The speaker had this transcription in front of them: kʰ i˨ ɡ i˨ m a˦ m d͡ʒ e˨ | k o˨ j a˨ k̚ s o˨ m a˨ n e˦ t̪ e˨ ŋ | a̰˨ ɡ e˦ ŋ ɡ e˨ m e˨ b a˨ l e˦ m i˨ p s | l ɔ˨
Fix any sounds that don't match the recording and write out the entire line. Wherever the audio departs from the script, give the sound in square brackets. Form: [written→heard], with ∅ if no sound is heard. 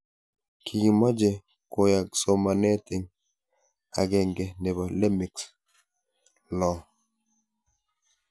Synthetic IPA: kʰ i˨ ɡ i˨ m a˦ [m→∅] d͡ʒ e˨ | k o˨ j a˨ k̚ s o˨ m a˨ n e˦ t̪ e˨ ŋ | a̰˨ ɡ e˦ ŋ ɡ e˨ [m→n] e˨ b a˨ l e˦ m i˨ [p→k] s | l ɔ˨